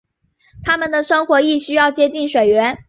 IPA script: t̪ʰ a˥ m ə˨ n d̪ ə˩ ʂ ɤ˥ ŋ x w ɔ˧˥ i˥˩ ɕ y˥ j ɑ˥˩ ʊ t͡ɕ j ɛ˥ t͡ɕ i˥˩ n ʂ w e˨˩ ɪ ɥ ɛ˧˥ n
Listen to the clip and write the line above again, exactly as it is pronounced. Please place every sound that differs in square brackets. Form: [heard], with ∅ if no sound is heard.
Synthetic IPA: t̪ʰ a˥ m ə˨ n d̪ ə˩ ʂ ɤ˥ ŋ x w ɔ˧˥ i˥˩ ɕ y˥ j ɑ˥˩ ʊ t͡ɕ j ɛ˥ t͡ɕ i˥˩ n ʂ w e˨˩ ɪ ɥ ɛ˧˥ n